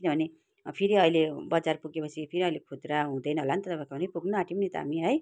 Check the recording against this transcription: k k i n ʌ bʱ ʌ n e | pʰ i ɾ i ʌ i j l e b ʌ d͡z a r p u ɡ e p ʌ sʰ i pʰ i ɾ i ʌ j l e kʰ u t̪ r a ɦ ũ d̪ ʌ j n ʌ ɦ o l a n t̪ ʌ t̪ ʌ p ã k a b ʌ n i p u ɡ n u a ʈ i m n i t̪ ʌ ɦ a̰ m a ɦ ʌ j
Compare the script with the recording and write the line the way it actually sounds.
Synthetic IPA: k k i n ʌ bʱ ʌ n e | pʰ i ɾ i ʌ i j l e b ʌ d͡z a r p u ɡ e p ʌ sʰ i pʰ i ɾ i ʌ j l e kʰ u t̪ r a ɦ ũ d̪ ʌ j n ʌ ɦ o l a n t̪ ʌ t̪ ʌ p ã k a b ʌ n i p u ɡ n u a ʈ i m n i t̪ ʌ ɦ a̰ m i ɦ ʌ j